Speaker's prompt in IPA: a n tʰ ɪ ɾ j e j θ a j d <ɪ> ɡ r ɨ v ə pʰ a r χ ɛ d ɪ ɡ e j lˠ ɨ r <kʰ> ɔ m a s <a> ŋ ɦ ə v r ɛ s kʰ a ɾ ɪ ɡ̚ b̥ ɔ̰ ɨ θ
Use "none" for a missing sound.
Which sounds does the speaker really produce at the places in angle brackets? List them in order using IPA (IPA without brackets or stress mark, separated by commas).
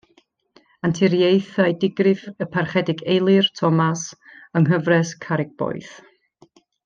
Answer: ɪ, tʰ, ə